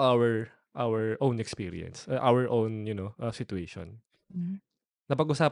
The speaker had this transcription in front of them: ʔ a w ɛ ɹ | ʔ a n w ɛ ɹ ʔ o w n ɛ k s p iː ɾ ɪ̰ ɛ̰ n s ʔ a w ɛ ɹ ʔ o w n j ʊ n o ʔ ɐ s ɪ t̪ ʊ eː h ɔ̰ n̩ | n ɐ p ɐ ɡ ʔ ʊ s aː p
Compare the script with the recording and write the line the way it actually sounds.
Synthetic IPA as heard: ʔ a w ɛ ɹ | ʔ a w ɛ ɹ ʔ o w n ɛ k s p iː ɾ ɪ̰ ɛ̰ n s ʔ a w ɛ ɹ ʔ o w n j ʊ n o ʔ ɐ s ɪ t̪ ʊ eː ʃ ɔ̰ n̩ | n ɐ p ɐ ɡ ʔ ʊ s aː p